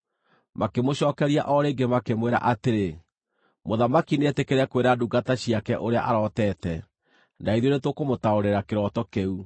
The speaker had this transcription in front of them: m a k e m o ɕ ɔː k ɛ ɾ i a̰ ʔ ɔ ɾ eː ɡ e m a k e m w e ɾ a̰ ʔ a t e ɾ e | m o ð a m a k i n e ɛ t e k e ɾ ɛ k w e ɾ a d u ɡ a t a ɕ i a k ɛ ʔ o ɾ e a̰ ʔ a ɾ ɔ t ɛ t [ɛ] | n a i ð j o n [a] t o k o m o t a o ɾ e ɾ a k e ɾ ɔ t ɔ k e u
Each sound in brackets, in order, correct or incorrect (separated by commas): correct, incorrect